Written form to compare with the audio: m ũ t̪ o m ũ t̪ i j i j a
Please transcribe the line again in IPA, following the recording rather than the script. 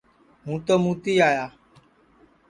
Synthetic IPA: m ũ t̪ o m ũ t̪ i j a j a